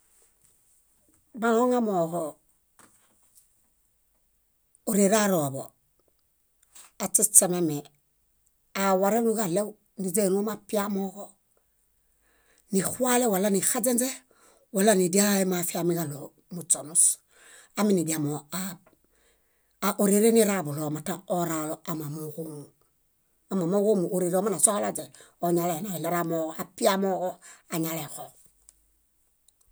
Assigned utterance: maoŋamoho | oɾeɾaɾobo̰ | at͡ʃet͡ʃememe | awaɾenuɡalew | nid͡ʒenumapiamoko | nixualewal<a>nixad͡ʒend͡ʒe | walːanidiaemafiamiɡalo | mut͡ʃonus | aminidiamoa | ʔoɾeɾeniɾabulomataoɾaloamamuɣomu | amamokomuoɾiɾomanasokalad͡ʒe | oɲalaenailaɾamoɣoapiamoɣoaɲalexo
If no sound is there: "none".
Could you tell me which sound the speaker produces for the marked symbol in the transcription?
a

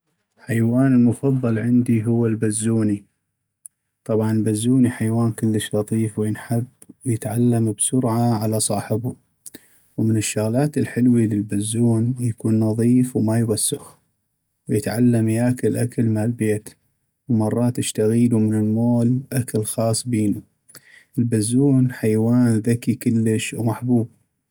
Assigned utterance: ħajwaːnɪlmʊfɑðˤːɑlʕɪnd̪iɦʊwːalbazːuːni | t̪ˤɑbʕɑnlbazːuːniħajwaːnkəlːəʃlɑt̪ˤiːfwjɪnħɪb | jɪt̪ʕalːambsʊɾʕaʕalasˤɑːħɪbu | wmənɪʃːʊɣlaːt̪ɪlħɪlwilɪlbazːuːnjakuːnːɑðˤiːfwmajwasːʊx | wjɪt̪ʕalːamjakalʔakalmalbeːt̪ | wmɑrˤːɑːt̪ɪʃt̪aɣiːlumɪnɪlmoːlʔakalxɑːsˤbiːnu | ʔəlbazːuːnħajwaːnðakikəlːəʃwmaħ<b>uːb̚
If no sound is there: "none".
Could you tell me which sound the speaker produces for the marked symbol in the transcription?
b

